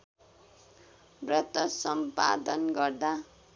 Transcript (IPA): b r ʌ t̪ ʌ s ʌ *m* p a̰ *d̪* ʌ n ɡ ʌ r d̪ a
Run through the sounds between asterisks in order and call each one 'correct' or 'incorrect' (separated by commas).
correct, correct